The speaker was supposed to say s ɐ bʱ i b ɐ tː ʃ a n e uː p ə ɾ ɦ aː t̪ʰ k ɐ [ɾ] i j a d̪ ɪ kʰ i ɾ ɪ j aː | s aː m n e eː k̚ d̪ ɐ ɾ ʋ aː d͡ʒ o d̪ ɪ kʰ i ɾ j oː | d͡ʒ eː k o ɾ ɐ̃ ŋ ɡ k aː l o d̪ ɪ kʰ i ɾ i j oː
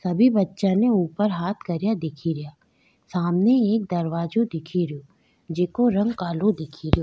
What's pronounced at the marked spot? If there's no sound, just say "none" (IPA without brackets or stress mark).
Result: ɾ